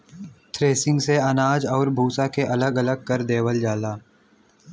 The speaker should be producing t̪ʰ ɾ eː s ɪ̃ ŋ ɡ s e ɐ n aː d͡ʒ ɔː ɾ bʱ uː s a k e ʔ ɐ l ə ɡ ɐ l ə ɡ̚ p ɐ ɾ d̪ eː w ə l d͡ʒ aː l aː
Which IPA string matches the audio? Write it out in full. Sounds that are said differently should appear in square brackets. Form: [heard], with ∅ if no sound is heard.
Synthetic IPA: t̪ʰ ɾ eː s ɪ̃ ŋ ɡ s e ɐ n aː d͡ʒ ɔː ɾ bʱ uː s a k e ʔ ɐ l ə ɡ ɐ l ə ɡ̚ [k] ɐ ɾ d̪ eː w ə l d͡ʒ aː l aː